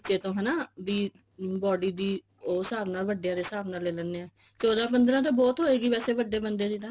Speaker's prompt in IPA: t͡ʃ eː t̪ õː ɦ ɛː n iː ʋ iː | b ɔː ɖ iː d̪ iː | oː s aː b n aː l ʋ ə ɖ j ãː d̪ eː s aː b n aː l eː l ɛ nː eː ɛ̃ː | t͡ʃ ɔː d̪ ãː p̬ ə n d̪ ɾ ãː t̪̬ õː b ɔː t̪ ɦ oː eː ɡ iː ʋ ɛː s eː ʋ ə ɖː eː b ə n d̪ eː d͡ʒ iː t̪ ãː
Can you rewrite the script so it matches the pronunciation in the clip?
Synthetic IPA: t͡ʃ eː t̪ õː ɦ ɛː n aː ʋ iː | b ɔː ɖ iː d̪ iː | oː s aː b n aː l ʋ ə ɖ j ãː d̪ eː s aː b n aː l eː l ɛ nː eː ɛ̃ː | t͡ʃ ɔː d̪ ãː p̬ ə n d̪ ɾ ãː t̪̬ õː b ɔː t̪ ɦ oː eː ɡ iː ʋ ɛː s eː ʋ ə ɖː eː b ə n d̪ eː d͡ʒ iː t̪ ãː